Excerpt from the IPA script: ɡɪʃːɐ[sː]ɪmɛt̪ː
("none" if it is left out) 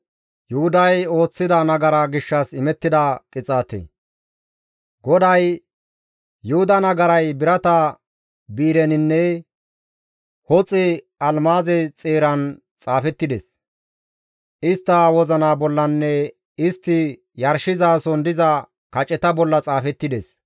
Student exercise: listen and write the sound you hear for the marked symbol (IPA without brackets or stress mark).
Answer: s